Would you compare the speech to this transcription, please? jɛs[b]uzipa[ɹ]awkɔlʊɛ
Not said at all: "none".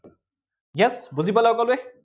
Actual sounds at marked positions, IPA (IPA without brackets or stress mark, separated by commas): b, l